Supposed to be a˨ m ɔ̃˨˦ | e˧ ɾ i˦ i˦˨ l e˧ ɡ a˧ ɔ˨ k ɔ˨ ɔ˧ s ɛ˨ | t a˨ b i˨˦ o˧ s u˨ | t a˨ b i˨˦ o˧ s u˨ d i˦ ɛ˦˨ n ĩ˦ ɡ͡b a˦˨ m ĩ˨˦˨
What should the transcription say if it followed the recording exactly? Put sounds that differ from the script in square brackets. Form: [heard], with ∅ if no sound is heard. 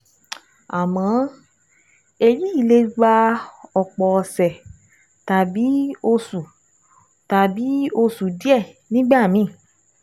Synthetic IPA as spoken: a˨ m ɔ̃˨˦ | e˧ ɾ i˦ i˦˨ l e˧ [ɡ͡b] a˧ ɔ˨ [k͡p] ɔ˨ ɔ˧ s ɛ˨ | t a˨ b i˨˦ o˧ s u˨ | t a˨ b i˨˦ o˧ s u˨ d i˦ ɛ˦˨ n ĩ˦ ɡ͡b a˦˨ m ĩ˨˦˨